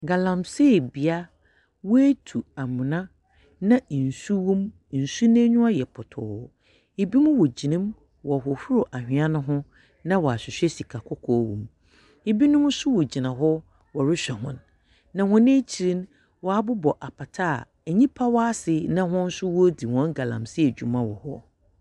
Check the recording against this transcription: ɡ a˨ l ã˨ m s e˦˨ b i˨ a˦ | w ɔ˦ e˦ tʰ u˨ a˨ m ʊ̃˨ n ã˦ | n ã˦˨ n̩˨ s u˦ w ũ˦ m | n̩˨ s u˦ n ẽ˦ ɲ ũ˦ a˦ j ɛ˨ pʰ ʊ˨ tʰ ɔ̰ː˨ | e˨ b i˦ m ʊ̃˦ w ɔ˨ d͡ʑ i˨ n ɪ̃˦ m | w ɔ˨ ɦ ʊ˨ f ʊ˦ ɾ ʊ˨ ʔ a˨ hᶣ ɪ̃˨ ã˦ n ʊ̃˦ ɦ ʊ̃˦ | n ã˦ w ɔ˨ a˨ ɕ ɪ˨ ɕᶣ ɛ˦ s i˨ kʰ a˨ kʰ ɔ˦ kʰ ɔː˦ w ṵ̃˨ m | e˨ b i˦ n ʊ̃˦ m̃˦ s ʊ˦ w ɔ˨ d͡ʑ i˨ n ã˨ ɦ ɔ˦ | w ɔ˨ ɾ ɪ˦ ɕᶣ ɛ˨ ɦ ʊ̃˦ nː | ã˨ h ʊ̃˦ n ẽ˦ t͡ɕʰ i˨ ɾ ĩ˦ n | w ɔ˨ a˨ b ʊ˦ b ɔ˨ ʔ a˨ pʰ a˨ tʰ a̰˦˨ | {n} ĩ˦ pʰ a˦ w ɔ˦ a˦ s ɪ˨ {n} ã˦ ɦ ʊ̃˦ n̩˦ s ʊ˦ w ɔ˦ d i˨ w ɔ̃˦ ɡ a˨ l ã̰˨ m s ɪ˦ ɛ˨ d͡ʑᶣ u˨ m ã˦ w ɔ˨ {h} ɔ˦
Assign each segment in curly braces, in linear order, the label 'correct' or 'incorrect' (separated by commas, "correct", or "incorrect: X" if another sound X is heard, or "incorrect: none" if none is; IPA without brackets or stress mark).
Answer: incorrect: ɲ, correct, correct